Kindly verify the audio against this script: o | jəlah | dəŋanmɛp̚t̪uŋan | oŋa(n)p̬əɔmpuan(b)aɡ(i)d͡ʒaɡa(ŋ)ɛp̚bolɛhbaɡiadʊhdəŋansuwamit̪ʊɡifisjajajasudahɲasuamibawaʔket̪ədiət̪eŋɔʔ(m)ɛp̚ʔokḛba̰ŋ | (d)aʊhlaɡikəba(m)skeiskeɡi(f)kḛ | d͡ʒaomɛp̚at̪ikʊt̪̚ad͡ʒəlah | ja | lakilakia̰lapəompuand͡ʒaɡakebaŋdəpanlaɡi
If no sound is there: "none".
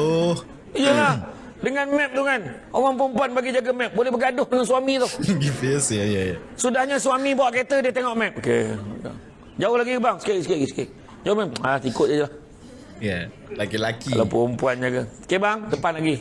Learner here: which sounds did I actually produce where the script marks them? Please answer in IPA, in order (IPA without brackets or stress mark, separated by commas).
ŋ, b, i, m, m, d͡ʒ, ŋ, s